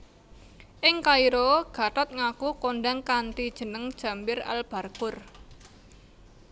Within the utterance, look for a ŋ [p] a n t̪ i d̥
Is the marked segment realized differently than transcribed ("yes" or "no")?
yes